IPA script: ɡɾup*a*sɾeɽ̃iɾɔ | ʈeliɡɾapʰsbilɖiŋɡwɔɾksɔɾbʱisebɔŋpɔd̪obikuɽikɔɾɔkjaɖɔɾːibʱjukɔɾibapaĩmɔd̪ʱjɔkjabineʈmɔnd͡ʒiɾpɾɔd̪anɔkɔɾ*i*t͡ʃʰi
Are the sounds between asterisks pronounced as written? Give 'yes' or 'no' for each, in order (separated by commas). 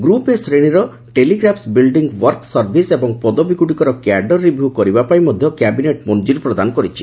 no, yes